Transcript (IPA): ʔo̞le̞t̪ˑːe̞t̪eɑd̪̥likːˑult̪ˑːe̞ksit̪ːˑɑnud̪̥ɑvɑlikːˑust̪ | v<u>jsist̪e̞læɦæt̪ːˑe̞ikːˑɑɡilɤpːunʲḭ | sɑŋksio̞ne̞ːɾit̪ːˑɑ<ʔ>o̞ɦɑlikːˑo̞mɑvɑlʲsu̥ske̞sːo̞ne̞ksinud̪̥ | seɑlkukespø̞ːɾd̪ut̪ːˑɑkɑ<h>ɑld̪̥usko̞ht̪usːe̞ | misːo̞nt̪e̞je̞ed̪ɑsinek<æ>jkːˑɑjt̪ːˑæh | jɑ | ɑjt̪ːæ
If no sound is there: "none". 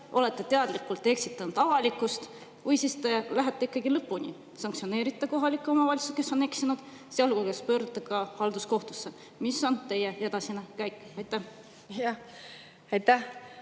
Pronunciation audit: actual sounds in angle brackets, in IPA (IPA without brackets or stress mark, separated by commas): u, k, h, æ